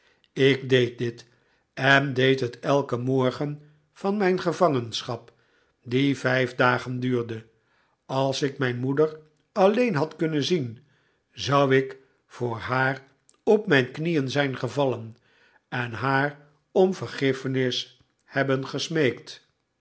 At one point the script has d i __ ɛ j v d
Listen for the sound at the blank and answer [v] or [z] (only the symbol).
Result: v